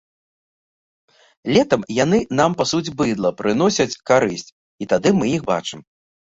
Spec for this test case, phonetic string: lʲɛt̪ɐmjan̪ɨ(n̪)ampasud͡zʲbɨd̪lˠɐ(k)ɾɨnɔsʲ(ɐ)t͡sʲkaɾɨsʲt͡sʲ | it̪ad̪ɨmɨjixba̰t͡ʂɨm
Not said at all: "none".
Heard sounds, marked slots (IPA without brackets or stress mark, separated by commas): n̪, p, ɐ